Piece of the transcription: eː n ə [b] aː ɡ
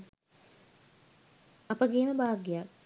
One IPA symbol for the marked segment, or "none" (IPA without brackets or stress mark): b